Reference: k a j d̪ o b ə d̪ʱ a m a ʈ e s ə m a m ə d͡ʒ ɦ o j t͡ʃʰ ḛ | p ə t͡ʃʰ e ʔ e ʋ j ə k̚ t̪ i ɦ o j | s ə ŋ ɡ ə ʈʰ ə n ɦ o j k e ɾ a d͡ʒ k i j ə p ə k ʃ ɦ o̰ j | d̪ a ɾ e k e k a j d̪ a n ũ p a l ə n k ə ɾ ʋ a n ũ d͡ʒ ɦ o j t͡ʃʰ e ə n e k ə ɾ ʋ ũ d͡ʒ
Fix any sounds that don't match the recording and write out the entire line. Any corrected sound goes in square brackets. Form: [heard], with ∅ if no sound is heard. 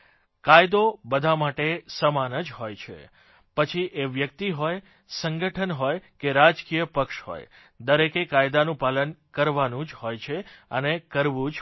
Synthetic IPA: k a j d̪ o b ə d̪ʱ a m a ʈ e s ə m a [n] ə d͡ʒ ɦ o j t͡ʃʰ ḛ | p ə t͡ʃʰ [i] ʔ e ʋ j ə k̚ t̪ i ɦ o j | s ə ŋ ɡ ə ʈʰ ə n ɦ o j k e ɾ a d͡ʒ k i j ə p ə k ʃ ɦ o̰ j | d̪ [ə] ɾ e k e k a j d̪ a n ũ p a l ə n k ə ɾ ʋ a n ũ d͡ʒ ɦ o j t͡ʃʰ e ə n e k ə ɾ ʋ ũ d͡ʒ